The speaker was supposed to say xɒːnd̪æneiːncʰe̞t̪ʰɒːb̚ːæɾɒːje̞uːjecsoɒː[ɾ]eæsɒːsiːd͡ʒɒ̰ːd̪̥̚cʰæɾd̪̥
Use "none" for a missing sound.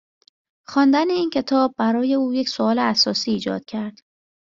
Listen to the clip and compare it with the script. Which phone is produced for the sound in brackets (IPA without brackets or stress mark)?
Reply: l